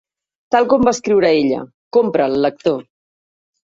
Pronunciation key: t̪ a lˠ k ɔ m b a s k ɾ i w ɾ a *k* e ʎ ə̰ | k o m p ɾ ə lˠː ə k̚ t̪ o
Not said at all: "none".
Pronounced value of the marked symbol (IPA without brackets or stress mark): none